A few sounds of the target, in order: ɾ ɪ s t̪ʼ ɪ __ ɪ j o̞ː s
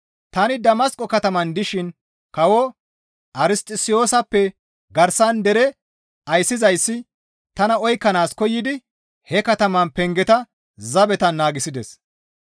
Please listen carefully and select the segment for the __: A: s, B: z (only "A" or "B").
A